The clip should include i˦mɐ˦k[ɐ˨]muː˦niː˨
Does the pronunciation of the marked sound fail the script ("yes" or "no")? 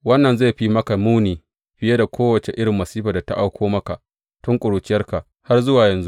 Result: yes